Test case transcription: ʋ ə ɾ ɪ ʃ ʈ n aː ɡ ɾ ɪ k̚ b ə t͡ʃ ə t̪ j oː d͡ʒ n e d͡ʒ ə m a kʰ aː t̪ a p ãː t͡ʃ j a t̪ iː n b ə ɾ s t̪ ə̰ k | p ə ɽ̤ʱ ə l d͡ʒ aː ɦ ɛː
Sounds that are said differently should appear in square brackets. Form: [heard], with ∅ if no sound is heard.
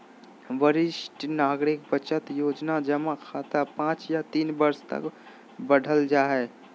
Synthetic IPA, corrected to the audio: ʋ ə ɾ ɪ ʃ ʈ n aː ɡ ɾ ɪ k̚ b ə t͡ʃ ə t̪ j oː d͡ʒ n [a] d͡ʒ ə m a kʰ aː t̪ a p ãː t͡ʃ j a t̪ iː n b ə ɾ s t̪ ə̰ k | [b] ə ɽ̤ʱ ə l d͡ʒ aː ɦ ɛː